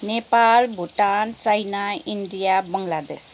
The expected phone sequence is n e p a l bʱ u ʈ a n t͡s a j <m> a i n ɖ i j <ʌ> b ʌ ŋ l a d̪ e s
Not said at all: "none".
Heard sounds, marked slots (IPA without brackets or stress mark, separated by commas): n, a